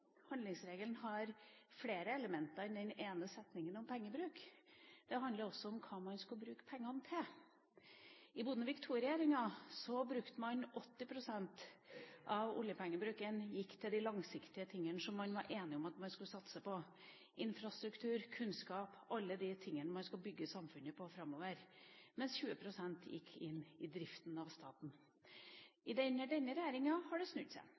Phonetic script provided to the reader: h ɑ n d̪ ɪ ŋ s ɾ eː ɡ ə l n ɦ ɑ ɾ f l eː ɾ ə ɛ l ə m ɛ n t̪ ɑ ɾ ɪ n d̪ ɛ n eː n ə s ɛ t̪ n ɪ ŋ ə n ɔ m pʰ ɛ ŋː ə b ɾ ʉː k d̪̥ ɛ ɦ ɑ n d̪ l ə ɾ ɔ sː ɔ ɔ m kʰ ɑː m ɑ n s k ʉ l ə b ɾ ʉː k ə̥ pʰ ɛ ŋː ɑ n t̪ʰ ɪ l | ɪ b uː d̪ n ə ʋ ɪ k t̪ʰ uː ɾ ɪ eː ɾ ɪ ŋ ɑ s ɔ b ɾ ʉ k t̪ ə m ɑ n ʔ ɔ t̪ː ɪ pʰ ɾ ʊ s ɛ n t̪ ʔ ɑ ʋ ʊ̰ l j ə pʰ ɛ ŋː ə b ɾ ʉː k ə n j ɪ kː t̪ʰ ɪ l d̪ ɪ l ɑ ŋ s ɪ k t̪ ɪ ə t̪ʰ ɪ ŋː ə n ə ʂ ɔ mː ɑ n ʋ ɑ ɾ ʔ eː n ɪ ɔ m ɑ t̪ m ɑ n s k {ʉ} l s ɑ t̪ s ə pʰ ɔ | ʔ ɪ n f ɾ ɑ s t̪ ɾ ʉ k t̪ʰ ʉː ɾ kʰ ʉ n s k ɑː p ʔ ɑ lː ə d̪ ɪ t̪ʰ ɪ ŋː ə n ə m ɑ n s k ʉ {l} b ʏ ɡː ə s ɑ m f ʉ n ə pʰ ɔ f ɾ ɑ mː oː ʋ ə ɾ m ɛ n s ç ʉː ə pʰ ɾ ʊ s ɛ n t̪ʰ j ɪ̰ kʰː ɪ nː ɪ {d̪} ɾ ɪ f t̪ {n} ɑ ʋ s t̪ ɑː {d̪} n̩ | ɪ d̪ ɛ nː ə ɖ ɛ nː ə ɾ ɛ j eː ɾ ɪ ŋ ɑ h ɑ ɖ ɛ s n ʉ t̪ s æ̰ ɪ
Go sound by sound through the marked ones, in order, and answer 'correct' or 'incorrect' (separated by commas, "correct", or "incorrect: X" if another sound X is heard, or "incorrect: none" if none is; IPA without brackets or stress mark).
correct, correct, correct, correct, incorrect: t̪